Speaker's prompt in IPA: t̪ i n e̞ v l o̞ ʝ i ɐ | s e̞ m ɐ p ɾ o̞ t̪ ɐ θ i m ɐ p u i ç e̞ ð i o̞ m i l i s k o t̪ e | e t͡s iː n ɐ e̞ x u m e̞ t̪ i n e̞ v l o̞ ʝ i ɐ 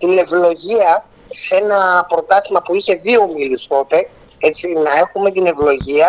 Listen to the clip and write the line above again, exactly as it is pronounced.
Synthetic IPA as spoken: t̪ i n e̞ v l o̞ ʝ i ɐ | s e̞ n ɐ p ɾ o̞ t̪ ɐ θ i m ɐ p u i ç e̞ ð i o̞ m i l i s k o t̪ e | e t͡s i n ɐ e̞ x u m e̞ t̪ i n e̞ v l o̞ ʝ i ɐ